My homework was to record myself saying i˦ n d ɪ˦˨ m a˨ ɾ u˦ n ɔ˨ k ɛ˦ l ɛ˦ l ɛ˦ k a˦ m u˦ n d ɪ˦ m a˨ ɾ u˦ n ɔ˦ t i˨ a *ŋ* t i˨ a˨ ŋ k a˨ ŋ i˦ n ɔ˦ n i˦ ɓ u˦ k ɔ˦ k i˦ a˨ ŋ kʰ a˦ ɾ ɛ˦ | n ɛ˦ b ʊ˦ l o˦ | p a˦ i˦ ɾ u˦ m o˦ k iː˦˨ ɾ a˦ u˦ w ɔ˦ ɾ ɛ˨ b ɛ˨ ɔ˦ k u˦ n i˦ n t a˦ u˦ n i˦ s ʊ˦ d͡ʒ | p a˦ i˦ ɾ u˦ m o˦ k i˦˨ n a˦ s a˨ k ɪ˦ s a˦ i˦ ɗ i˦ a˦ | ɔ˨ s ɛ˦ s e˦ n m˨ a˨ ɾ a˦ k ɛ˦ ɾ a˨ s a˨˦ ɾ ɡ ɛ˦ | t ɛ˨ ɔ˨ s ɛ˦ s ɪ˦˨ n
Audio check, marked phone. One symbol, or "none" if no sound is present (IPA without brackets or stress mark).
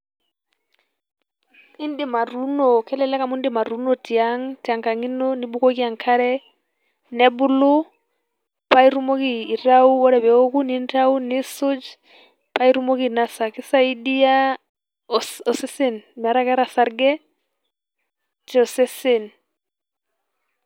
ŋ